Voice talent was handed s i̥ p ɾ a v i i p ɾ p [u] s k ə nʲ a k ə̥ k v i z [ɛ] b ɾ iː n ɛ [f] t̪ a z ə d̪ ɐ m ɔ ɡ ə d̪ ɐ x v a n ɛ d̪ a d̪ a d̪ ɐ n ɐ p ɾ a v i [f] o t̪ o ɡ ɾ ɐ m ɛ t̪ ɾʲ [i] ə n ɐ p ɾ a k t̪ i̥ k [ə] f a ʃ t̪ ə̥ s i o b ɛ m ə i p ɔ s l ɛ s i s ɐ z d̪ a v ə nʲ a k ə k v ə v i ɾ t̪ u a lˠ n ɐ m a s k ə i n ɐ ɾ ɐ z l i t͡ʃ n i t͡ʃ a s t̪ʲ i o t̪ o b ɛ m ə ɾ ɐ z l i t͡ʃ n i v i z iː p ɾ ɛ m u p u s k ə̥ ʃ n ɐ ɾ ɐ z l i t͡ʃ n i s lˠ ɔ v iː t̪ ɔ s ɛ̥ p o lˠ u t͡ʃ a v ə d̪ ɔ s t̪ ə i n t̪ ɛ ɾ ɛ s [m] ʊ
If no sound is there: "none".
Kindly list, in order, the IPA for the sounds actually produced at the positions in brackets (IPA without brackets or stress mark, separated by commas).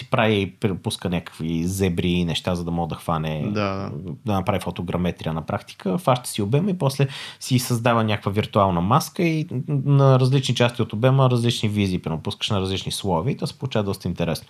u, ɛ, ʃ, f, i, ə, n